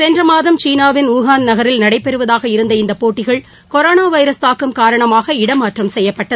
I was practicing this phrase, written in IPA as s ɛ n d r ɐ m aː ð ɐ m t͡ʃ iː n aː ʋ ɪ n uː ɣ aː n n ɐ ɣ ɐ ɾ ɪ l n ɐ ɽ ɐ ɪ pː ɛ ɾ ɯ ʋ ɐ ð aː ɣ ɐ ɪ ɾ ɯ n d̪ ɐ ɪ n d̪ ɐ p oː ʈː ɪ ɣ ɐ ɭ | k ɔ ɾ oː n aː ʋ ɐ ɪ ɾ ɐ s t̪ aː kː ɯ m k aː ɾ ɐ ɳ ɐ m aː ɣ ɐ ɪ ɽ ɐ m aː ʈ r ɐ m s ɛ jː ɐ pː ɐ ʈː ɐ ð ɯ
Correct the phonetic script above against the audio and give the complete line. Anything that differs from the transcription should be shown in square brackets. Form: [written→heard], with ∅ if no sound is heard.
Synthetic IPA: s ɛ n d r ɐ m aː ð ɐ m t͡ʃ iː n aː ʋ ɪ n uː ɣ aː n n ɐ ɣ ɐ ɾ ɪ l n ɐ ɽ ɐ ɪ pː ɛ ɾ ɯ ʋ ɐ ð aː ɣ ɐ ɪ ɾ ɯ n d̪ ɐ ɪ n d̪ ɐ p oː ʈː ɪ ɣ ɐ ɭ | k ɔ ɾ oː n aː ʋ ɐ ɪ ɾ ɐ s t̪ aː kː ɯ m k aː ɾ ɐ ɳ ɐ m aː ɣ ɐ ɪ ɽ ɐ m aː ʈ r ɐ m s ɛ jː ɐ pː ɐ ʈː ɐ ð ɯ